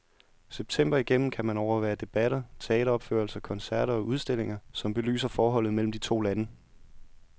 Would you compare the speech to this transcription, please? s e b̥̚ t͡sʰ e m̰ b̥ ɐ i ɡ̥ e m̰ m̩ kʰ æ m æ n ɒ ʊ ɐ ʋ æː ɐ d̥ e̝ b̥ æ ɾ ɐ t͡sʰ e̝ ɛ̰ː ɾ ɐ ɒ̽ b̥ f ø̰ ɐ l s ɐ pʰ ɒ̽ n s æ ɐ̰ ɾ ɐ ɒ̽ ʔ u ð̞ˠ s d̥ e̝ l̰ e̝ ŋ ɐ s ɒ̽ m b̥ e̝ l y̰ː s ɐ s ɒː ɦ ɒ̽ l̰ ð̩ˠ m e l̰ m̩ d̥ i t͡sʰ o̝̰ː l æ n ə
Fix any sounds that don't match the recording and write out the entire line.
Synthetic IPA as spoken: s e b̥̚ t͡sʰ e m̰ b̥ ɐ i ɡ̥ e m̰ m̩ kʰ æ m æ n ɒ ʊ ɐ ʋ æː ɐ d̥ e̝ b̥ æ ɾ ɐ t͡sʰ e̝ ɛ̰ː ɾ ɐ ɒ̽ b̥ f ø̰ ɐ l s ɐ kʰ ɒ̽ n s æ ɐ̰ ɾ ɐ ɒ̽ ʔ u ð̞ˠ s d̥ e̝ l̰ e̝ ŋ ɐ s ɒ̽ m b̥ e̝ l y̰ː s ɐ f ɒː ɦ ɒ̽ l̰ ð̩ˠ m e l̰ m̩ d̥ i t͡sʰ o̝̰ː l æ n ə

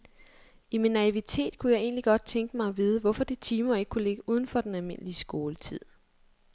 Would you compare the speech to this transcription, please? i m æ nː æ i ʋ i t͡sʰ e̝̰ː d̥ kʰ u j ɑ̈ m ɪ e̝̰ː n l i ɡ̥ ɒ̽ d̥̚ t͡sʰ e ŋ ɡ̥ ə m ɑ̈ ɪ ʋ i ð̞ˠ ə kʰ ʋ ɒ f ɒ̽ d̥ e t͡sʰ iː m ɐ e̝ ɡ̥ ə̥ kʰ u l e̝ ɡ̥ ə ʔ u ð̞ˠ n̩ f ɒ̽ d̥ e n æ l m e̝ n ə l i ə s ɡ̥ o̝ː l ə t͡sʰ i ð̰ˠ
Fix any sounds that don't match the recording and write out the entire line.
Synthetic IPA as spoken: i m i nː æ i ʋ i t͡sʰ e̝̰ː d̥ kʰ u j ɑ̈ ɪ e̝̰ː n l i ɡ̥ ɒ̽ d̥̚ t͡sʰ e ŋ ɡ̥ ə m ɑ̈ ɪ ʋ i ð̞ˠ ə ʋ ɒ f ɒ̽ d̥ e t͡sʰ iː m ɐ e̝ ɡ̥ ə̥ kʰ u l e̝ ɡ̥ ə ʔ u ð̞ˠ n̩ f ɒ̽ d̥ e n æ l m e̝ n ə l i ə s ɡ̥ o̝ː l ə t͡sʰ i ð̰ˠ

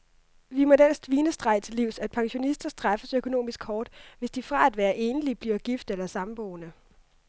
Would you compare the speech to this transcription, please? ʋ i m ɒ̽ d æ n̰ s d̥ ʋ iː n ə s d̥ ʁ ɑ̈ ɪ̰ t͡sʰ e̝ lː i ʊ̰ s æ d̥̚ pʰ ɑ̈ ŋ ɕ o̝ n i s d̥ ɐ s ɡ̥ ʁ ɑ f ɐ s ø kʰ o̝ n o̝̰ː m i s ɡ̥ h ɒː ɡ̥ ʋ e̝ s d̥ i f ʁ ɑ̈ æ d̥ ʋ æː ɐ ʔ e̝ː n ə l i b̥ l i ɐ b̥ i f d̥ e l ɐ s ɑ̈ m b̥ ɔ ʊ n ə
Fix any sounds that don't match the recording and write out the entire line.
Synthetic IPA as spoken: ʋ i m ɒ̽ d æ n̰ s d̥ ʋ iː n ə s d̥ ʁ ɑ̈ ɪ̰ t͡sʰ e̝ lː i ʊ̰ s æ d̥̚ pʰ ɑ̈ ŋ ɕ o̝ n i s d̥ ɐ s d̥ ʁ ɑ f ə s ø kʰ o̝ n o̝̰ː m i s ɡ̥ h ɒː d̥ ʋ e̝ s d̥ i f ʁ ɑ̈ æ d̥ ʋ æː ɐ ʔ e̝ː n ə l i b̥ l i ɐ ɡ̥ i f d̥ e l ɐ s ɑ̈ m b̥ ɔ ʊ n ə

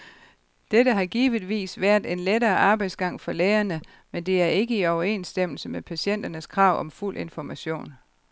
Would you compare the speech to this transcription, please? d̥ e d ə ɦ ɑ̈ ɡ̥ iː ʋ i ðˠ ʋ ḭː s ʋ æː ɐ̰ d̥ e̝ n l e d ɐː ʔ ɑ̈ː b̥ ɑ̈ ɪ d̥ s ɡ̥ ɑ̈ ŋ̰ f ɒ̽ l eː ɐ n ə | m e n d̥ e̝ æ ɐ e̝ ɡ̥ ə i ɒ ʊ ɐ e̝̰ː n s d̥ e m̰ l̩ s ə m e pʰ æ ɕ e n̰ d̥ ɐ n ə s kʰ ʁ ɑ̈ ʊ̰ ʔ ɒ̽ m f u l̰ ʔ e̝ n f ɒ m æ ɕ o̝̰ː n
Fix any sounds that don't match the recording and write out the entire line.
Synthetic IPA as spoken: d̥ e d ə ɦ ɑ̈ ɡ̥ iː ʋ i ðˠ ʋ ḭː s ʋ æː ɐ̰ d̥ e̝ n l e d ɐː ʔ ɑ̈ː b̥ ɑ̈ ɪ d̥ s ɡ̥ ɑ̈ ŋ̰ f ɒ̽ l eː ɐ n ə | m e n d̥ e̝ æ ɐ e̝ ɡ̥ ə i ɒ ʊ ɐ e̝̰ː n s d̥ e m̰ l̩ s ə m e pʰ æ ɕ e n̰ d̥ ɐ n ə s kʰ ʁ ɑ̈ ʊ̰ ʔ ɒ̽ m f u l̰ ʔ e̝ n f ɒ m æ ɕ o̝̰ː n

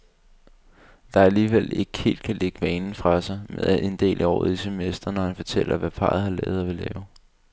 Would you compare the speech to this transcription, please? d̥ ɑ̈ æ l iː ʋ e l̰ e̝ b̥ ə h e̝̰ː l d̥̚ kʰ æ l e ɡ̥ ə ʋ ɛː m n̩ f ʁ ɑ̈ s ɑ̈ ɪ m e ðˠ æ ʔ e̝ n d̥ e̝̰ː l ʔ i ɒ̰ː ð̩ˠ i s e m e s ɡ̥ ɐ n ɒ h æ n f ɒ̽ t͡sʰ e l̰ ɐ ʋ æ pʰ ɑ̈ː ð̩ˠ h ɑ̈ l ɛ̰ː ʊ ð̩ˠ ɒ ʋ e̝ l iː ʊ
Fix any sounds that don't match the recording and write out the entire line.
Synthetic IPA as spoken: d̥ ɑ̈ æ l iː ʋ e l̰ e̝ ɡ̥ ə h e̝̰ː l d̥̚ kʰ æ l e ɡ̥ ə ʋ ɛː n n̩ f ʁ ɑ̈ s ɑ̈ ɪ m e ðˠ æ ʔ e̝ n d̥ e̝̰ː l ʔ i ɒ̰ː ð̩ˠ i s e m e s d̥ ɐ n ɒ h æ n f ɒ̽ t͡sʰ e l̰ ɐ ʋ æ pʰ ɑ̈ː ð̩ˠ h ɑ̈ l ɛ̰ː ʊ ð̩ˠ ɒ ʋ e̝ l ɛː ʊ

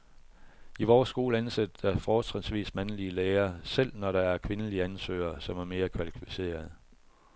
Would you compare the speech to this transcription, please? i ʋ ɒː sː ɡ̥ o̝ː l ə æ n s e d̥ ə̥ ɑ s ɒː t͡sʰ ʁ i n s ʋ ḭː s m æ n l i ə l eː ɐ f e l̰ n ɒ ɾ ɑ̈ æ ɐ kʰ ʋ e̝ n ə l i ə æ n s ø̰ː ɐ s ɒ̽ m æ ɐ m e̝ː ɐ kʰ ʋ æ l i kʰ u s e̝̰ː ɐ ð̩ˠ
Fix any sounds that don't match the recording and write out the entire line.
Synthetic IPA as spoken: i ʋ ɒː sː ɡ̥ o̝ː l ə æ n s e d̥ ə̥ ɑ f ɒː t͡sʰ ʁ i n s ʋ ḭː s m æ n l i ə l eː ɐ s e l̰ n ɒ ɾ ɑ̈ æ ɐ kʰ ʋ e̝ n ə l i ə æ n s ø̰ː ɐ s ɒ̽ m æ ɐ m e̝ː ɐ kʰ ʋ æ l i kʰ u s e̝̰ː ɐ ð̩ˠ

